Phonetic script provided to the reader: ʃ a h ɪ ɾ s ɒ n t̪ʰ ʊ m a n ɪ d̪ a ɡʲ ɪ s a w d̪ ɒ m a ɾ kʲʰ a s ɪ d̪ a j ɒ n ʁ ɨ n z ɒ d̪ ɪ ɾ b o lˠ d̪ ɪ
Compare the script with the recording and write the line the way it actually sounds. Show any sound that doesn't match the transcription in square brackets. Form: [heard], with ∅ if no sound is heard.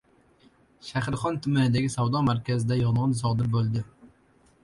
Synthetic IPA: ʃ a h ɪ ɾ [χ] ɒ n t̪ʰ ʊ m a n ɪ d̪ a ɡʲ ɪ s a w d̪ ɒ m a ɾ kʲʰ a [z] ɪ d̪ a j ɒ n ʁ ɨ n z ɒ d̪ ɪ ɾ b o lˠ d̪ ɪ